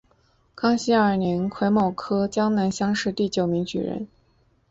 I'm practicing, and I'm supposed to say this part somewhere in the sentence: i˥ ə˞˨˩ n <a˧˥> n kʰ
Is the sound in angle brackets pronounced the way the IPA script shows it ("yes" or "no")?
no